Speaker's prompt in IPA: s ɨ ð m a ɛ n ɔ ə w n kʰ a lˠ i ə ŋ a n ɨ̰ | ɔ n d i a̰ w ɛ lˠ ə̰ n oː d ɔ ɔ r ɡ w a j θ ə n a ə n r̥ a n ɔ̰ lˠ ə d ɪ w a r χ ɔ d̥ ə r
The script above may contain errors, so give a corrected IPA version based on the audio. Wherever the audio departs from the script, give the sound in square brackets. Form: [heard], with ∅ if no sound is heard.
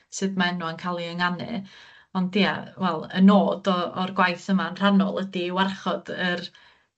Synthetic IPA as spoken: s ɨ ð m a ɛ n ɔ ə [∅] n kʰ a lˠ i ə ŋ a n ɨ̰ | ɔ n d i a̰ w ɛ lˠ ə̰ n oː d ɔ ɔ r ɡ w a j θ ə [m] a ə n r̥ a n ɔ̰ lˠ ə d [i] w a r χ ɔ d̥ ə r